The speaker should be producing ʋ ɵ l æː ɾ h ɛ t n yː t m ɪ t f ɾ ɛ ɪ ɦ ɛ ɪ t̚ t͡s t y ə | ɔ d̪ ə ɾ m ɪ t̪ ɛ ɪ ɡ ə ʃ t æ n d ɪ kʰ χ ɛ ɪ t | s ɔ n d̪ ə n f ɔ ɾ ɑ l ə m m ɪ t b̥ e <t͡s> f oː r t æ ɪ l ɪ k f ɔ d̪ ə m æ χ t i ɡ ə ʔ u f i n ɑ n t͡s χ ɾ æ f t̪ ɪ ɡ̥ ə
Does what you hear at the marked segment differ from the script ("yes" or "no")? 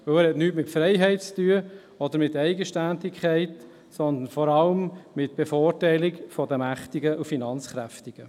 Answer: yes